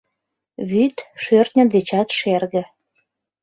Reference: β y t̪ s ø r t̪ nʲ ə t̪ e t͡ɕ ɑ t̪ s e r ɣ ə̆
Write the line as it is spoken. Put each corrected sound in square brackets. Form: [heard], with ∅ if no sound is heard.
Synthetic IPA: β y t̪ [ʃ] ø r t̪ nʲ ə [d̪] e t͡ɕ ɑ t̪ [ʃ] e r ɣ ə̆